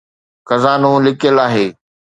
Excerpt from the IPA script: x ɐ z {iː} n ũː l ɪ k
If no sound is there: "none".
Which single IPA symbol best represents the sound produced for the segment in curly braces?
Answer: aː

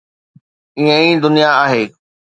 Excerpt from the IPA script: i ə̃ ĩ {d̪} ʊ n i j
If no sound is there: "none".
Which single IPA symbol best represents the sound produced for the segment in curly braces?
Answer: d̪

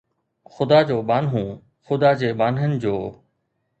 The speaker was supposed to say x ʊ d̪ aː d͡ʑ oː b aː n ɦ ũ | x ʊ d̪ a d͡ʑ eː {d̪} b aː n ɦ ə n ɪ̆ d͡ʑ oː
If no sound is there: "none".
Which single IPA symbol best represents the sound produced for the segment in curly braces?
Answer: none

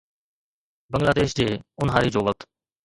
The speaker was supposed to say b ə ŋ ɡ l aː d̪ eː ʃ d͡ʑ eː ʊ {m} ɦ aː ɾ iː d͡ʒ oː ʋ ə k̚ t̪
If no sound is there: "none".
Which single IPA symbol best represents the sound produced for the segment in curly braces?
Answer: n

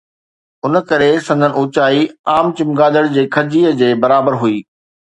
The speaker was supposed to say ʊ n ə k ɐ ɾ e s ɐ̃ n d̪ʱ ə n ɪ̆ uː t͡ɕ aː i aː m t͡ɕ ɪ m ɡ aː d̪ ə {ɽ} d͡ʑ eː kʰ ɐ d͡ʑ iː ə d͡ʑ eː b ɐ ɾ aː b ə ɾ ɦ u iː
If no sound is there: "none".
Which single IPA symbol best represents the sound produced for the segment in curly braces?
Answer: ɽ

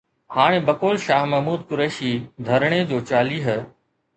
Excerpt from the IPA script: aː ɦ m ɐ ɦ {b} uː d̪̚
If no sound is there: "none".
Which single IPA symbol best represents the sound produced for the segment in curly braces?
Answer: m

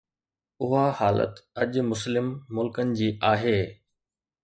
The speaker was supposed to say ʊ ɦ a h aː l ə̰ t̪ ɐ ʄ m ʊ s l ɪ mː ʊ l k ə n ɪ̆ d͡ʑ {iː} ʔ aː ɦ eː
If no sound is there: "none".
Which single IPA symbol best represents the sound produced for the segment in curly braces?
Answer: iː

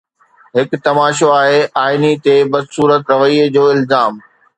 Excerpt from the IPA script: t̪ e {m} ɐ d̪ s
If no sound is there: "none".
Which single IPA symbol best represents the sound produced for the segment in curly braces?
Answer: b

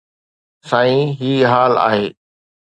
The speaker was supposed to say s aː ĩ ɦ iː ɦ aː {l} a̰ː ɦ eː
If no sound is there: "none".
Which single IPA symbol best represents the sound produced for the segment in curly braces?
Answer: l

